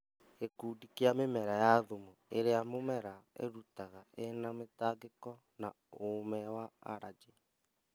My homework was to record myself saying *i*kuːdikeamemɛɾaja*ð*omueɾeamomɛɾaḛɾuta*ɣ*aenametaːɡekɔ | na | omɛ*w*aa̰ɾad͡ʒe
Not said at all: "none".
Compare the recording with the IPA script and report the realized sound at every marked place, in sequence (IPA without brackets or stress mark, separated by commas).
e, ð, ɣ, w